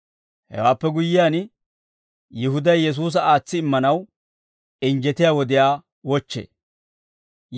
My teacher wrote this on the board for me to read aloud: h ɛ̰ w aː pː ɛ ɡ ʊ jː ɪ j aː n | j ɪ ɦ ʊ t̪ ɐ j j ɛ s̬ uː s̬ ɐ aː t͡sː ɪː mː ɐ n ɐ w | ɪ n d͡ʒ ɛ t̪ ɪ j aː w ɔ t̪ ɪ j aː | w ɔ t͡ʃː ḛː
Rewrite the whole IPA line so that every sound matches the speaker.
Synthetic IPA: h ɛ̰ w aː pː ɛ ɡ ʊ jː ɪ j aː n | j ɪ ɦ ʊ d̪ ɐ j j ɛ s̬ uː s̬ ɐ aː t͡sː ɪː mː ɐ n ɐ w | ɪ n d͡ʒ ɛ t̪ ɪ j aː w ɔ d̪ ɪ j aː | w ɔ t͡ʃː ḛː